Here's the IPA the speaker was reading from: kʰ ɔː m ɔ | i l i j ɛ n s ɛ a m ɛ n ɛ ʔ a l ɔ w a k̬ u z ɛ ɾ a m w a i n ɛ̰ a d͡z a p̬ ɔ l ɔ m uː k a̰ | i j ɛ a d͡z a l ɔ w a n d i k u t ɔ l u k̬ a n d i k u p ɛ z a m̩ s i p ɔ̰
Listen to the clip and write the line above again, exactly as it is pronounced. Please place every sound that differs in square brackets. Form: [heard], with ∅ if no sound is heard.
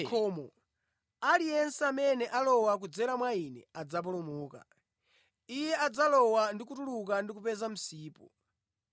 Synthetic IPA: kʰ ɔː m ɔ | [a] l i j ɛ n s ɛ a m ɛ n ɛ ʔ a l ɔ w a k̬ u [d͡z] ɛ ɾ a m w a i n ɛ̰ a d͡z a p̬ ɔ l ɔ m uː k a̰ | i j ɛ a d͡z a l ɔ w a n d i k u t [u] l u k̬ a n d i k u p ɛ z a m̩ s [iː] p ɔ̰

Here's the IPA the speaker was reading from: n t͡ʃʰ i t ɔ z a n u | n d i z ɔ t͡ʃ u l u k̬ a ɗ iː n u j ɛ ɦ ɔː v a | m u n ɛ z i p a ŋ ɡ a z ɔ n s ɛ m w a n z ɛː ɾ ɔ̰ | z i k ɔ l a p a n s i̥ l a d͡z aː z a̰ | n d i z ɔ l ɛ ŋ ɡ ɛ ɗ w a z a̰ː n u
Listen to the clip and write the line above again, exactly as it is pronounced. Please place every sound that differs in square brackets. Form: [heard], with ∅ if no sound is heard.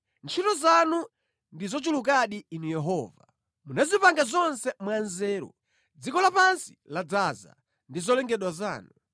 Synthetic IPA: n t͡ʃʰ i t ɔ z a n u | n d i z ɔ t͡ʃ u l u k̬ a ɗ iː n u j ɛ ɦ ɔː v a | m u n [a] z i p a ŋ ɡ a z ɔ n s ɛ m w a n z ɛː ɾ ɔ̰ | [d͡z] i k ɔ l a p a n s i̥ l a d͡z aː z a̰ | n d i z ɔ l ɛ ŋ ɡ ɛ ɗ w a z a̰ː n u

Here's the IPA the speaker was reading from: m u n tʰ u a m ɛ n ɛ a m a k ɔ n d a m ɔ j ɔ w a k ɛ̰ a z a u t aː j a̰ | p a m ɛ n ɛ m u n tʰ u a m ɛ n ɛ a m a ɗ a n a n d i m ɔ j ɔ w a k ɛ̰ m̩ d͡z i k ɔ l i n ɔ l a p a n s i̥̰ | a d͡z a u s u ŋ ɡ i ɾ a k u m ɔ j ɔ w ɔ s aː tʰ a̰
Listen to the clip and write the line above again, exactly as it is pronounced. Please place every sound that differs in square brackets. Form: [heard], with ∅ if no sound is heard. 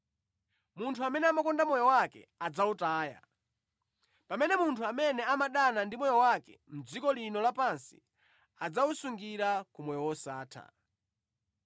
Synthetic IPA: m u n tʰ u a m ɛ n ɛ a m a k ɔ n d a m ɔ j ɔ w a k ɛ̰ a [d͡z] a u t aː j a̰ | p a m ɛ n ɛ m u n tʰ u a m ɛ n ɛ a m a ɗ a n a n d i m ɔ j ɔ w a k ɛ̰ m̩ d͡z i k ɔ l i n ɔ l a p a n s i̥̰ | a d͡z a u s u ŋ ɡ i ɾ a k u m ɔ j ɔ w ɔ s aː tʰ a̰

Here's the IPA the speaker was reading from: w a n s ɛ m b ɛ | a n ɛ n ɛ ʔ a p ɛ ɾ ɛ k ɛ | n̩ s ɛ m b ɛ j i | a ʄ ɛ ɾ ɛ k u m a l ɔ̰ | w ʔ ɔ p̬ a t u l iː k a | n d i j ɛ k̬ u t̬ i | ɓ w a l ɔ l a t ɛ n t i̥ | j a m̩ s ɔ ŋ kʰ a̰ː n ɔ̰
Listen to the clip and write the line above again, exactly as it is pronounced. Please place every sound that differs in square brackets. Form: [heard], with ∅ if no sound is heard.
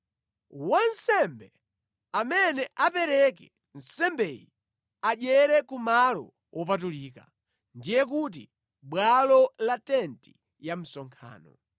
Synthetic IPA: w a n s ɛ m b ɛ | a [m] ɛ n ɛ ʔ a p ɛ ɾ ɛ k ɛ | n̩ s ɛ m b ɛ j i | a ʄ ɛ ɾ ɛ k u m a l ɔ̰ | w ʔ ɔ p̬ a t u l iː k a | n d i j ɛ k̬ u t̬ i | ɓ w a l ɔ l a t ɛ n t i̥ | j a m̩ s ɔ ŋ kʰ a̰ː n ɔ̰

